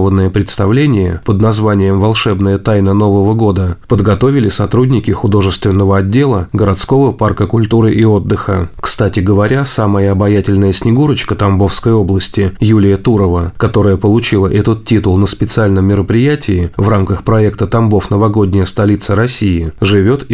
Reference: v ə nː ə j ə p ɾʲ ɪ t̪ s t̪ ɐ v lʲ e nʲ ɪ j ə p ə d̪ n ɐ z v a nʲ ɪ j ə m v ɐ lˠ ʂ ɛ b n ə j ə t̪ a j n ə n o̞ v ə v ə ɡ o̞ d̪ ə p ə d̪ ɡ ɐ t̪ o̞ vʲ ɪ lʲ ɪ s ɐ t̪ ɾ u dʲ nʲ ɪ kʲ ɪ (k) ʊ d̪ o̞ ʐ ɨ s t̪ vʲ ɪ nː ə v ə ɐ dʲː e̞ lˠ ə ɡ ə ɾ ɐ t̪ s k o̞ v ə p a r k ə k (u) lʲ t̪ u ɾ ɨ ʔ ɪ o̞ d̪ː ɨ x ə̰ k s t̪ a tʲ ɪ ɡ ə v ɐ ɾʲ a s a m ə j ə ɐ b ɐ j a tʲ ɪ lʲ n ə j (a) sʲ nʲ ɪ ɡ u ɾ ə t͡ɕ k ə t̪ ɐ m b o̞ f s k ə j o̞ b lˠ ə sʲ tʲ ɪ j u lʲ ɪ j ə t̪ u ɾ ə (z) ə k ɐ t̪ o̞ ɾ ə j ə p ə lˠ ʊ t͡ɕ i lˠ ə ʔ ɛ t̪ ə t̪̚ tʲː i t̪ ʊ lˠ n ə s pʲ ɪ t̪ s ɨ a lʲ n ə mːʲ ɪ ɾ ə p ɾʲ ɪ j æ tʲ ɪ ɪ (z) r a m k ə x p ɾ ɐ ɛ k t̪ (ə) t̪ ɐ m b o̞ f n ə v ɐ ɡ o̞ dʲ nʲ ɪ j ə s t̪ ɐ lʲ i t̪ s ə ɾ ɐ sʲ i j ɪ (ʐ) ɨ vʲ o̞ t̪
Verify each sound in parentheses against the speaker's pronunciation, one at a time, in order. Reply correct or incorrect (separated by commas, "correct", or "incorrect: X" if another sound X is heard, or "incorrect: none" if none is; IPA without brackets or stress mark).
incorrect: x, incorrect: ʊ, incorrect: ə, incorrect: v, incorrect: v, correct, correct